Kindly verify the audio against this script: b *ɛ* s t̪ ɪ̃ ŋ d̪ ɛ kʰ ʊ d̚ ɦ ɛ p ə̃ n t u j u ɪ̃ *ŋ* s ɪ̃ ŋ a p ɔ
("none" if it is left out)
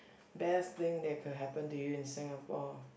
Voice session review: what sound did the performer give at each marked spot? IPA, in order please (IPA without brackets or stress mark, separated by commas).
ɛ, n